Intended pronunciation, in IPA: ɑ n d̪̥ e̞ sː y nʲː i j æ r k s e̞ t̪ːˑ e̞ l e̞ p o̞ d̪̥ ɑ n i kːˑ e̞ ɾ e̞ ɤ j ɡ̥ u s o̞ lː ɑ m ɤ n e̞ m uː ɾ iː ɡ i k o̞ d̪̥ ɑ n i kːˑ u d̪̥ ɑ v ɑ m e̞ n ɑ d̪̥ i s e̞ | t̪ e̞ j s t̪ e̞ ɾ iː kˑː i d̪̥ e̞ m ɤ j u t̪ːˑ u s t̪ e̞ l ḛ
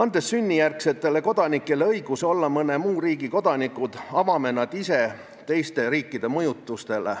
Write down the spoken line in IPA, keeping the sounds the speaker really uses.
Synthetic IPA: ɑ n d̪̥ e̞ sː y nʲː i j æ r k s e̞ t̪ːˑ e̞ l e̞ k o̞ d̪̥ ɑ n i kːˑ e̞ l e̞ ɤ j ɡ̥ u s o̞ lː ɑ m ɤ n e̞ m uː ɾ iː ɡ i k o̞ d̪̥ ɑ n i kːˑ u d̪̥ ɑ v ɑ m e̞ n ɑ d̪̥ i s e̞ | t̪ e̞ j s t̪ e̞ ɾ iː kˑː i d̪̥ e̞ m ɤ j u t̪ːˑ u s t̪ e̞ l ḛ

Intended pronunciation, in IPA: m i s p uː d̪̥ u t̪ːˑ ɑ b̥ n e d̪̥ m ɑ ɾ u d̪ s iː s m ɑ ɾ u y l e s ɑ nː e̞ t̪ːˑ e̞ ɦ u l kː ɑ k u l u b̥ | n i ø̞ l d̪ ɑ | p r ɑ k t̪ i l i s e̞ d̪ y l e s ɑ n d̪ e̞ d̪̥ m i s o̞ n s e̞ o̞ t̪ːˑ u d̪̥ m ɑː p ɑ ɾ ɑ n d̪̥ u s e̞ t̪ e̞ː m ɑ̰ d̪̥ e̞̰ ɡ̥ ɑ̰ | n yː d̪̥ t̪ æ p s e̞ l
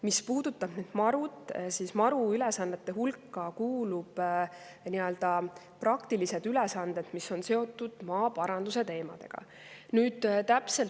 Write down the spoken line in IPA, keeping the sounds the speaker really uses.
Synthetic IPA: m i s p uː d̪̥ u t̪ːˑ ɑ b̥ n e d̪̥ m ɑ ɾ u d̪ s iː s m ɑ ɾ u y l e s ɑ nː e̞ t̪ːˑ e̞ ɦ u l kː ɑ k uː l u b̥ | n i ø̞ l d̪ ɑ | p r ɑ k t̪ i l i s e̞ d̪ y l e s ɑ n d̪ e̞ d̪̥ m i s o̞ n s e̞ o̞ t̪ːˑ u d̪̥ m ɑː p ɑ ɾ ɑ n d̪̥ u s e̞ t̪ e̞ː m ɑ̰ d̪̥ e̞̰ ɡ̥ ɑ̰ | n yː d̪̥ t̪ æ p s e̞ l

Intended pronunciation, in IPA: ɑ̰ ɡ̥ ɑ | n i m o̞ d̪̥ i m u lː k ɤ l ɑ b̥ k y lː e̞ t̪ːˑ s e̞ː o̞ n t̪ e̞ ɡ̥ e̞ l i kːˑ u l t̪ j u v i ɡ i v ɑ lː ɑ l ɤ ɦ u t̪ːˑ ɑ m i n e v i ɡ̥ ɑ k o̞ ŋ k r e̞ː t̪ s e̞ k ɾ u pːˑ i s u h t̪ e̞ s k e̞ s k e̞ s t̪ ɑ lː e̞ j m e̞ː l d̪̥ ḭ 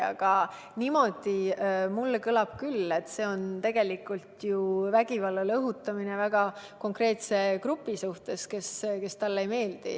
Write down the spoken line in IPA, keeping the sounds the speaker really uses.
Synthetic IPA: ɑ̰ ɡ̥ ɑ | n i m o̞ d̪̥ i m u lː k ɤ l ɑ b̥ k y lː e̞ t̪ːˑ s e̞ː o̞ n t̪ e̞ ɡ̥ e̞ l i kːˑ u l t̪ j u v æ ɡ i v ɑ lː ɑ l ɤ ɦ u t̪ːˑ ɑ m i n e v æ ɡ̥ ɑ k o̞ ŋ k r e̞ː t̪ s e̞ k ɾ u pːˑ i s u h t̪ e̞ s k e̞ s k e̞ s t̪ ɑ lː e̞ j m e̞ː l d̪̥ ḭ

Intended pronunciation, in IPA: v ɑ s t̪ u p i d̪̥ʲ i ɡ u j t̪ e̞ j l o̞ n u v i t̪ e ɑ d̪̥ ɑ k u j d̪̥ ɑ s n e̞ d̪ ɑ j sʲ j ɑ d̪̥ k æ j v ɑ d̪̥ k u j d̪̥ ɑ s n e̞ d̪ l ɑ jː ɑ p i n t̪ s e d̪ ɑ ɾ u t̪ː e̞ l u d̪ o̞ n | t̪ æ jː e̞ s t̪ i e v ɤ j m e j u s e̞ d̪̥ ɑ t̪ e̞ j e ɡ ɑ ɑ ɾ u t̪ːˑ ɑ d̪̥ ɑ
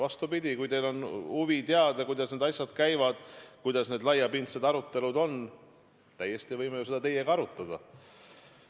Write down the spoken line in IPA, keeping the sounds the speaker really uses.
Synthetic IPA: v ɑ s t̪ u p i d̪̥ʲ i k u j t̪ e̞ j l o̞ n u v i t̪ e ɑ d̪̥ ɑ k u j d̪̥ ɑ s n e̞ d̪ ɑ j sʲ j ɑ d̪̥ k æ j v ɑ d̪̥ k u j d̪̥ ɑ s n e̞ d̪ l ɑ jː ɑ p i n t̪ s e d̪ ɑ ɾ u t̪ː e̞ l u d̪ o̞ n | t̪ æ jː e̞ s t̪ i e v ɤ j m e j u s e̞ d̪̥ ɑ t̪ e̞ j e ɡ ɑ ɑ ɾ u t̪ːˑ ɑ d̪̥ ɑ

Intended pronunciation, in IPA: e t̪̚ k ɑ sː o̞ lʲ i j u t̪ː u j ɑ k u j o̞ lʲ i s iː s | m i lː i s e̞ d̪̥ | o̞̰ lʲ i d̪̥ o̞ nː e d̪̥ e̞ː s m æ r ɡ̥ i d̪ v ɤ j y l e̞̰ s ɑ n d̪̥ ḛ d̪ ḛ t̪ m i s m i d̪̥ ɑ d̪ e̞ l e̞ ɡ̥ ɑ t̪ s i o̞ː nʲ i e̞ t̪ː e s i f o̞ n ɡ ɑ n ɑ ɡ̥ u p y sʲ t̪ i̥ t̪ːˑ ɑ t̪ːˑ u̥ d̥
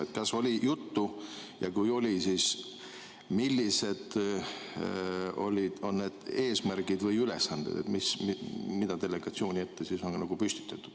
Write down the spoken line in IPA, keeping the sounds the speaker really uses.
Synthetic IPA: e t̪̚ k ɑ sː o̞ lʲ i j u t̪ː u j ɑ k u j o̞ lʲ i s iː s | m i lː i s e̞ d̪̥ | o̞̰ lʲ i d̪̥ o̞ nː e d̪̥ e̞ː s m æ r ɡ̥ i d̪ v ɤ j y l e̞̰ s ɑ n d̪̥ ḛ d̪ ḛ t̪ m i s m i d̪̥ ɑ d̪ e̞ l e̞ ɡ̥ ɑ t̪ s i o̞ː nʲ i e̞ t̪ː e s i s o̞ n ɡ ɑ n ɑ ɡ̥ u p y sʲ t̪ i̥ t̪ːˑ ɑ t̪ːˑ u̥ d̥

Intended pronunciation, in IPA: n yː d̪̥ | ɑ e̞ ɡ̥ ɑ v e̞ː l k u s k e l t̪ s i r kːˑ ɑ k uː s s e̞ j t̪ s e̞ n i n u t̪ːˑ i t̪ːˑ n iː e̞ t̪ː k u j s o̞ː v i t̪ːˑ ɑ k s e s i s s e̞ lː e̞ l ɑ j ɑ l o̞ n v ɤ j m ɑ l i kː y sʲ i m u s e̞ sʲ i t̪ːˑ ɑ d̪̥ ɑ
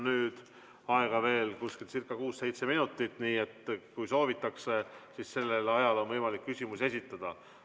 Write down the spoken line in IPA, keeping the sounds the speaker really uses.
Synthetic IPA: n yː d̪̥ | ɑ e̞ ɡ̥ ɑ v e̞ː l k u s k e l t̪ s i r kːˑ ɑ k uː s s e̞ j t̪ s e̞ m i n u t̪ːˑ i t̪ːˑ n iː e̞ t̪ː k u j s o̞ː v i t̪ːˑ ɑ k s e s i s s e̞ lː e̞ l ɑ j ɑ l o̞ n v ɤ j m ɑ l i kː y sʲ i m u s e̞ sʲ i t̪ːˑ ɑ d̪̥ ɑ

